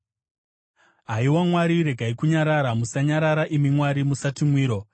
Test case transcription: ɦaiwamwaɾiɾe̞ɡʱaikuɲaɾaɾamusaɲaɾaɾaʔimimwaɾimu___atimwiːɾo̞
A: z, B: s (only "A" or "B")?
B